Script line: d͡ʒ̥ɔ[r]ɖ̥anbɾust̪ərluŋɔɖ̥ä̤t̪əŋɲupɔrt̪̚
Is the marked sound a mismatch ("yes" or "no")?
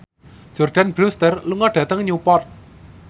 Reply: no